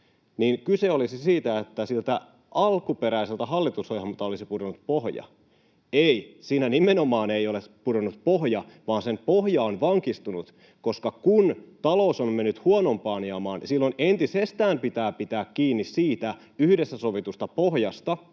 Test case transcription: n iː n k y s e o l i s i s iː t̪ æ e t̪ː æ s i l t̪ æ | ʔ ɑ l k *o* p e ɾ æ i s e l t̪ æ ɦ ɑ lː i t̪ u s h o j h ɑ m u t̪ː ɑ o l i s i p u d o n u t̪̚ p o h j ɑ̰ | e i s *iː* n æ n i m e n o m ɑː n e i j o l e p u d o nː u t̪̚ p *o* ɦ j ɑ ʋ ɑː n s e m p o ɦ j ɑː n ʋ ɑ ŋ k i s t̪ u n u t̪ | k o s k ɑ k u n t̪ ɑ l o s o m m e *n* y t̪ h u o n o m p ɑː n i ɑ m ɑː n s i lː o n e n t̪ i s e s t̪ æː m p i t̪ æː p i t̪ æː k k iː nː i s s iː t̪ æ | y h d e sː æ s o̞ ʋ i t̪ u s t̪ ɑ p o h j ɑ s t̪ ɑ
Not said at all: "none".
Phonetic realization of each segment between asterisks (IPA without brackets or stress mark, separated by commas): u, iː, o, nː